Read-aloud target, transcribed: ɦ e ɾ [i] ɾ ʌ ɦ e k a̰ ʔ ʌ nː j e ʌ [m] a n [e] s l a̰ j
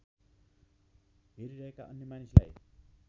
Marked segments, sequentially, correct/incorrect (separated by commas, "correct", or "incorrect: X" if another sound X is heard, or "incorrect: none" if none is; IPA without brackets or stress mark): correct, correct, incorrect: i